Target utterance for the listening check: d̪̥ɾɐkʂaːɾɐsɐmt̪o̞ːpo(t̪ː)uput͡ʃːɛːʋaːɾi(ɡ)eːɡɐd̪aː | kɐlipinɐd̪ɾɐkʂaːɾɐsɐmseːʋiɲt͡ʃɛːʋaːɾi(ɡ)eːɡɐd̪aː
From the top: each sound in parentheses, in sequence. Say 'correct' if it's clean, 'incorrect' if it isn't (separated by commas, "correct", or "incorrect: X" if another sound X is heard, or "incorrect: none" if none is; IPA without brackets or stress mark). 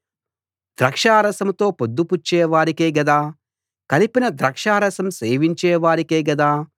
incorrect: d̪ː, incorrect: k, incorrect: k